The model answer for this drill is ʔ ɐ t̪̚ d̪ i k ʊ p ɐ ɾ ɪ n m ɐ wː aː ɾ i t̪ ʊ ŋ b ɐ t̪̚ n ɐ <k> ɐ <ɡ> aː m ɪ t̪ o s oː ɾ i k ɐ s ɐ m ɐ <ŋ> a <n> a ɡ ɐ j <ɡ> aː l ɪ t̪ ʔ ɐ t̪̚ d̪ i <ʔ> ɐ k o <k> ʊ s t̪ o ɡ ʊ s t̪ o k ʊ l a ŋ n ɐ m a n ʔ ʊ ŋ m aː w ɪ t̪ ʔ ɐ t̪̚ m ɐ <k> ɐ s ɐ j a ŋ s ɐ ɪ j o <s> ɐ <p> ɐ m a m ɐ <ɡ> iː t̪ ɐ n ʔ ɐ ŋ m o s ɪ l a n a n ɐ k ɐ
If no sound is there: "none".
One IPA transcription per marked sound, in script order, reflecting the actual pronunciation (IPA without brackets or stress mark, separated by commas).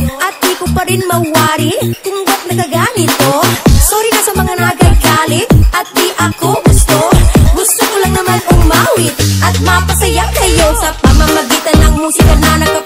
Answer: k, ɡ, ŋ, n, ɡ, ʔ, ɡ, p, s, p, ɡ